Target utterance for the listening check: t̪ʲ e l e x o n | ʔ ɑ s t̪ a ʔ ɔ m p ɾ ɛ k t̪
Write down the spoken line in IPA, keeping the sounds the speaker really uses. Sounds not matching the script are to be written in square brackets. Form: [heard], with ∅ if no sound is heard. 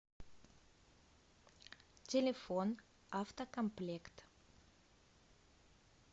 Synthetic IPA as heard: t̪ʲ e l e [f] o n | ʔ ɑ [f] t̪ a [k] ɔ m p [l] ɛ k t̪